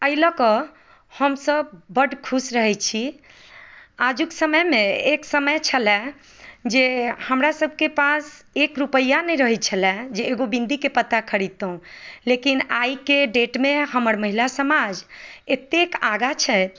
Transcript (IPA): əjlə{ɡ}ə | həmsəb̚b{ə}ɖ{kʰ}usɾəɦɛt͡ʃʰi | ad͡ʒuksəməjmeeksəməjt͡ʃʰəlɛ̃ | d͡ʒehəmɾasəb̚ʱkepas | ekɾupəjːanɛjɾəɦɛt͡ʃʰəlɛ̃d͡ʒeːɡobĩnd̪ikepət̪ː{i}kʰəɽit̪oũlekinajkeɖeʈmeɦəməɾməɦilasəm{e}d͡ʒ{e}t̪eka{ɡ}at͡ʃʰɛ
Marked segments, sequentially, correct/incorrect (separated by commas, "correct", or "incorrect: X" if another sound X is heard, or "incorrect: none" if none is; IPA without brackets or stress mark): incorrect: k, correct, correct, incorrect: a, incorrect: a, correct, correct